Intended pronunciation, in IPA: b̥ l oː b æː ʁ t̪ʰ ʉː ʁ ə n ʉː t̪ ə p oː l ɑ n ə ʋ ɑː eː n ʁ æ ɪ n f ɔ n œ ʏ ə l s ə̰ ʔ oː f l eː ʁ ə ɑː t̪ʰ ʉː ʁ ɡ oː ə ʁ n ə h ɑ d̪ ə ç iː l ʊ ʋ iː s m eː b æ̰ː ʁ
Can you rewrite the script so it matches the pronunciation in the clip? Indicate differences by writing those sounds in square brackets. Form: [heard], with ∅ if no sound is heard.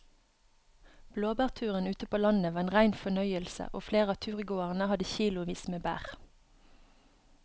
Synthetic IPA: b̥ l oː b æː ʁ t̪ʰ ʉː ʁ ə n ʉː t̪ ə p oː l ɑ n ə ʋ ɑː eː n ʁ æ ɪ n f ɔ n œ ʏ ə l s ə̰ ʔ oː f l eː ʁ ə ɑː t̪ʰ ʉː ʁ ɡ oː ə ʁ n ə h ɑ d̪ ə ç iː l ʊ ʋ iː s m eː b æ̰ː ʁ